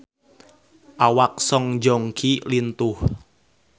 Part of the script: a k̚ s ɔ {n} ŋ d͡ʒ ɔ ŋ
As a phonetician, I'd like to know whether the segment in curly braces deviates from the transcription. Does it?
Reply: yes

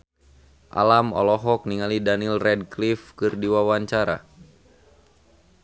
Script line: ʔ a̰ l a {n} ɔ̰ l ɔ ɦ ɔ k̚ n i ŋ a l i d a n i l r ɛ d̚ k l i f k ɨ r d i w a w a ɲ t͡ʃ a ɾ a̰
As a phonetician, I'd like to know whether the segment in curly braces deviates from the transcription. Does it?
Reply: yes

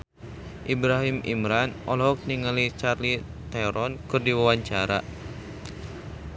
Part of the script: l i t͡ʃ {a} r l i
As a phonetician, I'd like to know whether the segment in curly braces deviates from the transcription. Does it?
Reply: no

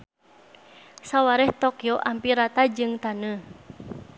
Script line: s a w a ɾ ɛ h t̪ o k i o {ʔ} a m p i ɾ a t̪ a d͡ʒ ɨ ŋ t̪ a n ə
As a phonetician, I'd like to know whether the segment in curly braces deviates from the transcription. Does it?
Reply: no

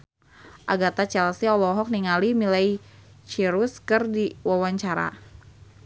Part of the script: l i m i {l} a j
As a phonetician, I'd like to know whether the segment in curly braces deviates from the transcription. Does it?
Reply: no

